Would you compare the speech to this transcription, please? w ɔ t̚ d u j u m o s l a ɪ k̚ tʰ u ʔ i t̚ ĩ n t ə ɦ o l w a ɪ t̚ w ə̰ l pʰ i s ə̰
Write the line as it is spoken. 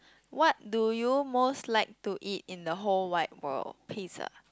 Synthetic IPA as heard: w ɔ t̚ d u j u m o s l a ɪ k̚ t u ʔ i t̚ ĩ n d ə ɦ o l w a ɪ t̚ w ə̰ l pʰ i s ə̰